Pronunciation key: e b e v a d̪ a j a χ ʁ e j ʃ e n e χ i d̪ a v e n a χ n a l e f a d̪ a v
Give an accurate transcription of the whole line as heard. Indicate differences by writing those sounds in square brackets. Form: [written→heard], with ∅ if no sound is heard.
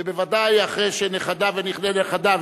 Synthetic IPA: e b e v a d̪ a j a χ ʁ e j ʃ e n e χ [i→a] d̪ a v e n [a→i] χ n [a→e] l e [f→χ] a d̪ a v